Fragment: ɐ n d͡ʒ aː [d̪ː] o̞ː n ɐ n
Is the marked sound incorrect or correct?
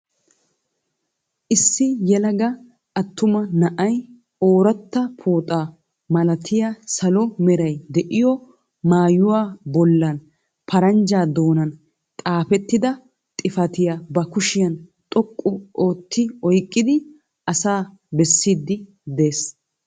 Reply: incorrect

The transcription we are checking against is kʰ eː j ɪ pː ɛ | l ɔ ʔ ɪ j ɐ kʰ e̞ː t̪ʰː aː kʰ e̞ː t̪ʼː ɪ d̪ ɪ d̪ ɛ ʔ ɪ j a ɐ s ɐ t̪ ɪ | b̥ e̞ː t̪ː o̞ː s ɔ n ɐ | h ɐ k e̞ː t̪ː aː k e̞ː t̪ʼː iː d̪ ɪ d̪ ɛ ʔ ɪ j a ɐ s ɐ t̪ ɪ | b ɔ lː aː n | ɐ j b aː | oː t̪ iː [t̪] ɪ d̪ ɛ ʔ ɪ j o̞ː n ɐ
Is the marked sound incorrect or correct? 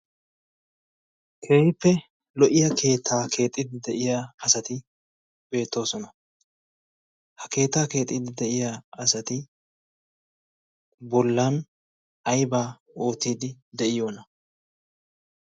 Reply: incorrect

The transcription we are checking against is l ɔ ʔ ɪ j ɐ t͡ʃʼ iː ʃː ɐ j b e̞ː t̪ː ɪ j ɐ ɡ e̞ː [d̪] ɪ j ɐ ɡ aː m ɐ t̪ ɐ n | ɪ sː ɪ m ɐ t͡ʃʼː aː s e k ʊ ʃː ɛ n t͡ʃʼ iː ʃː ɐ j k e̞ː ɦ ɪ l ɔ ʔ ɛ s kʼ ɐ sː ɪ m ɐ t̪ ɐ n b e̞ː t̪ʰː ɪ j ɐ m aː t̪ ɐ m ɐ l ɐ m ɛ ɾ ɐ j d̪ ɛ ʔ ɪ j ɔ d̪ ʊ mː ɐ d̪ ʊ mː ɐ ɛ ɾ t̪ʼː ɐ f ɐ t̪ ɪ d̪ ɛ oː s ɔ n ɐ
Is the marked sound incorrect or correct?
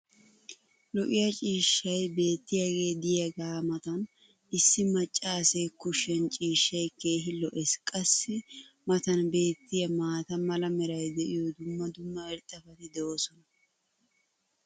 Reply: correct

